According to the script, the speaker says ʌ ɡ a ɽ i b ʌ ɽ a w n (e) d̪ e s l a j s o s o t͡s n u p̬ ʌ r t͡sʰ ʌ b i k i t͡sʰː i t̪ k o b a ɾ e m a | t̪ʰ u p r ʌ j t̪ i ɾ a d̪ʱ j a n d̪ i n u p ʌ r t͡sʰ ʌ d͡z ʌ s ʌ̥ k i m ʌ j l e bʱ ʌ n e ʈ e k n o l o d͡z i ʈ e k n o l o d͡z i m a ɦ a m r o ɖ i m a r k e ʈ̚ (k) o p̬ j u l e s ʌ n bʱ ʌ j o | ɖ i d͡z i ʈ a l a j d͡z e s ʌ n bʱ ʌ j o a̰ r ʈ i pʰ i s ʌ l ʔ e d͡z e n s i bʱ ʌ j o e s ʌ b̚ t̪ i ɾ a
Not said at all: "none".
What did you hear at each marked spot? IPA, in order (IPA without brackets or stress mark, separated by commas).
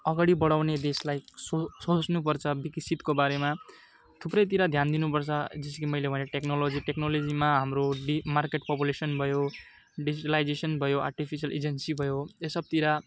e, p